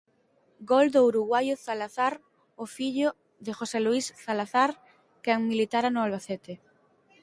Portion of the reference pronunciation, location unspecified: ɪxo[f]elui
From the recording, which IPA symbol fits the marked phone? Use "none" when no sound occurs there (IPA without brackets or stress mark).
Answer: s